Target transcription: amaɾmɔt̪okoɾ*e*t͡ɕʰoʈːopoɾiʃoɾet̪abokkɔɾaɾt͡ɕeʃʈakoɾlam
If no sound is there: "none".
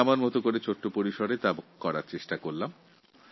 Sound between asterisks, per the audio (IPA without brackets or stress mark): e